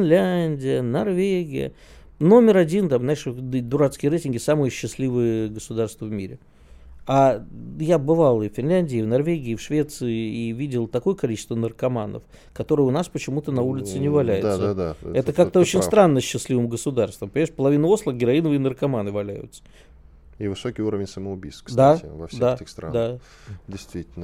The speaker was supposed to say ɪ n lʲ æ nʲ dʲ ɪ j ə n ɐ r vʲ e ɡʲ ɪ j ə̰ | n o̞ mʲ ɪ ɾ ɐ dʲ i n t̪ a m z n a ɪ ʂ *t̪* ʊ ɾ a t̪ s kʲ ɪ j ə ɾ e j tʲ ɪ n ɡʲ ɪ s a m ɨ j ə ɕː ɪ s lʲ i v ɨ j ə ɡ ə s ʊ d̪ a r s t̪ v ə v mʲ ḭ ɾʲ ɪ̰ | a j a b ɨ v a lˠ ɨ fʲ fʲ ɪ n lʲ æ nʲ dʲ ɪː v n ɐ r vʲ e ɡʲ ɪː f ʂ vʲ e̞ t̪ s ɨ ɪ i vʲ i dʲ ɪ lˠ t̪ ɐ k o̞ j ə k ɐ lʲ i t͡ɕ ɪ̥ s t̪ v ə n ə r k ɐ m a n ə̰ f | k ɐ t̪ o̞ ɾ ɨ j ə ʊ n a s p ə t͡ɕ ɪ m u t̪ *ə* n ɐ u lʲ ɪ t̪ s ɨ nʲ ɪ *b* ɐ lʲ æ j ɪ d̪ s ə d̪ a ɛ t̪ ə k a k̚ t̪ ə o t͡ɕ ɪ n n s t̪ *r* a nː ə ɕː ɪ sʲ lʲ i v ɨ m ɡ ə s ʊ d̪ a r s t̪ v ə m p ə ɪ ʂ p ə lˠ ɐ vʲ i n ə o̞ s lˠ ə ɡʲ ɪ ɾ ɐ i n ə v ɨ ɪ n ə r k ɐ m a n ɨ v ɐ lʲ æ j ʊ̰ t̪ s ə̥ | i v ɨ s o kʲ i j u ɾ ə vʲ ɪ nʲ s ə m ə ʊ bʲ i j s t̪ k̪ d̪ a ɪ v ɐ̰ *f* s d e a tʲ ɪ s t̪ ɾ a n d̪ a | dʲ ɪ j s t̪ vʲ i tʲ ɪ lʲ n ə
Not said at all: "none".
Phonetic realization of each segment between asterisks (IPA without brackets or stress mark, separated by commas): d̪, ə, v, ɾ, f